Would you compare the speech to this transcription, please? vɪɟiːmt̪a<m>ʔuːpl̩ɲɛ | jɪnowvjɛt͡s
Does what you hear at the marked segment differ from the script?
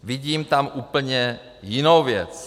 no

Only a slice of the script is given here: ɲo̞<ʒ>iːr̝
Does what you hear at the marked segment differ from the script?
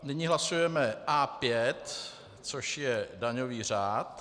yes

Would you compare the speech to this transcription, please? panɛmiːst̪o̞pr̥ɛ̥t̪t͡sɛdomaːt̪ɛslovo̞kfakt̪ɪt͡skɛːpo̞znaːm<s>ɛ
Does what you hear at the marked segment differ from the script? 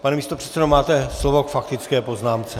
yes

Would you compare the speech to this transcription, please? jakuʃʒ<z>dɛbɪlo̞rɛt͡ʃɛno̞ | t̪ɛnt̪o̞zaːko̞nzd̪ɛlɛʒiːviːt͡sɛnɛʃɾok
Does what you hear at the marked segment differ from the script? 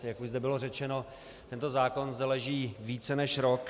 no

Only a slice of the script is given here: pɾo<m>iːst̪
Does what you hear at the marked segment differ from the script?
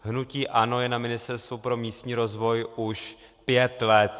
no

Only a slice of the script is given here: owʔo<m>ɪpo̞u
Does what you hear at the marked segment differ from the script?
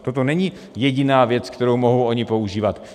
yes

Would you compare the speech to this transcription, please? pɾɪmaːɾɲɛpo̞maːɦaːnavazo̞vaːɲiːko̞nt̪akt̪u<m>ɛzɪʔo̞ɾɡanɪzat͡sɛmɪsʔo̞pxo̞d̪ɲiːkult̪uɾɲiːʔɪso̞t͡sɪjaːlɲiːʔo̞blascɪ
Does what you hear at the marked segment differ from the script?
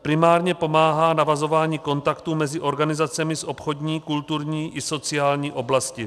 no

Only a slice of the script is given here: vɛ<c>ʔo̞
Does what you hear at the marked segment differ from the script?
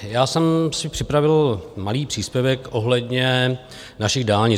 yes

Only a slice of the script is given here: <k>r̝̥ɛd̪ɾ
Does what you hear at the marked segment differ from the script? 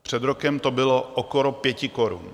yes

